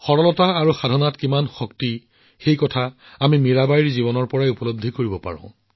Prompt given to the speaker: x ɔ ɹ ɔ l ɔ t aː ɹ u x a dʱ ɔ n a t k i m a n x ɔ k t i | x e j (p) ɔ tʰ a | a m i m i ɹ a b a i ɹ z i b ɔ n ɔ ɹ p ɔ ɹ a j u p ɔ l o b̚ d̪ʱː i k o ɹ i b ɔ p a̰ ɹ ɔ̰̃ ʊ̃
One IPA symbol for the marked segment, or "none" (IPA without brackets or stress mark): k